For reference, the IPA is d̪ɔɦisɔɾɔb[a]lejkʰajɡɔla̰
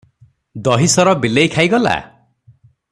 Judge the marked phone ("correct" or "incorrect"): incorrect